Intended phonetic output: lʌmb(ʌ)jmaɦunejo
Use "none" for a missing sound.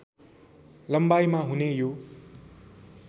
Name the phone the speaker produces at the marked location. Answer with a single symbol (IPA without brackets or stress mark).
a